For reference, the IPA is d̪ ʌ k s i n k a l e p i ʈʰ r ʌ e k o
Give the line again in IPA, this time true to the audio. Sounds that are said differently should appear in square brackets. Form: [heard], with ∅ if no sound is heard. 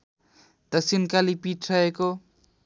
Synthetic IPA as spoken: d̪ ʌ k s i n k a l [i] p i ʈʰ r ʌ e k o